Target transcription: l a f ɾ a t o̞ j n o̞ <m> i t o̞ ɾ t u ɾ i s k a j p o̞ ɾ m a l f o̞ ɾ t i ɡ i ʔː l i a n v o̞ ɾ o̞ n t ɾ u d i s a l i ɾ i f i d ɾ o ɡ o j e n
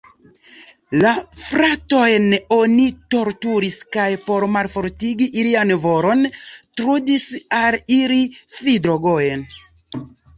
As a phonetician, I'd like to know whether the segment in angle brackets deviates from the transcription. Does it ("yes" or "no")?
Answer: yes